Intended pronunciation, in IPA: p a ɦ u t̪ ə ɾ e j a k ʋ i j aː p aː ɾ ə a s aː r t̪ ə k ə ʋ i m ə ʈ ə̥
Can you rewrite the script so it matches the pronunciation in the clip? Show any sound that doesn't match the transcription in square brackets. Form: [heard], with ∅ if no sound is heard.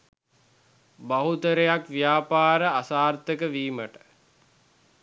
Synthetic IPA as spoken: [b] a ɦ u t̪ ə ɾ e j a k ʋ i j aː p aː ɾ ə a s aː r t̪ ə k ə ʋ [iː] m ə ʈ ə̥

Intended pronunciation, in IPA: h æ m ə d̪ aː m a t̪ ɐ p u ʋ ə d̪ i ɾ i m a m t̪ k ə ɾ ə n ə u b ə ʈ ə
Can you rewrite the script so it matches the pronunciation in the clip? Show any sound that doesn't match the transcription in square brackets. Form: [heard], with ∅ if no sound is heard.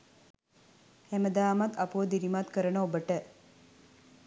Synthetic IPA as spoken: h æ m ə d̪ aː m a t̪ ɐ p u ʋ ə d̪ i ɾ i m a [∅] t̪ k ə ɾ ə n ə [o] b ə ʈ ə

